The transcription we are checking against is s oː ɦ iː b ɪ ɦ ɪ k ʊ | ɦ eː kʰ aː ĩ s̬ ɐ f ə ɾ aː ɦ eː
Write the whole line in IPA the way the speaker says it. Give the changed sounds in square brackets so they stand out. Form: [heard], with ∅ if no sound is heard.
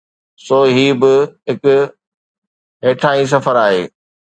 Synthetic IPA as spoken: s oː ɦ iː b ɪ ɦ ɪ k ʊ | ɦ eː [ʈʰ] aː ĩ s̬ ɐ f ə ɾ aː ɦ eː